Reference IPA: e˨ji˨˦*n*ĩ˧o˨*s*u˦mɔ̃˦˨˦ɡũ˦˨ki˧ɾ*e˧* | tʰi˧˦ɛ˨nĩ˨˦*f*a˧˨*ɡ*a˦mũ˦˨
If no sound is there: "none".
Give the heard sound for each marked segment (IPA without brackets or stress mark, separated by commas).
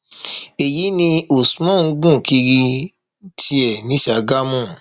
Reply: n, s, i˧, ʃ, ɡ